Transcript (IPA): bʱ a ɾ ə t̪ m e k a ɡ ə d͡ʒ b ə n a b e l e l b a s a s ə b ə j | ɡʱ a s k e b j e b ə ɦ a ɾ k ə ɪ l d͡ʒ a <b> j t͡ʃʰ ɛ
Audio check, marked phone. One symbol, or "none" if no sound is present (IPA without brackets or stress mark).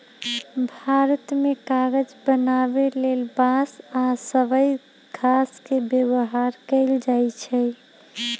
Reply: none